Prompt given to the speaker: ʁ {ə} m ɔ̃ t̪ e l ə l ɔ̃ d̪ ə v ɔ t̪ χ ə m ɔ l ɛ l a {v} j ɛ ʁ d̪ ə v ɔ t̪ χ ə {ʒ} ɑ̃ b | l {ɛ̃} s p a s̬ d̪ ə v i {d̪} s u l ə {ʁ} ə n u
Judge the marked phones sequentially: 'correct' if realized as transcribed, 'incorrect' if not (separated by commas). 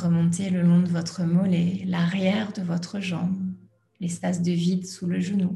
correct, incorrect, correct, incorrect, correct, incorrect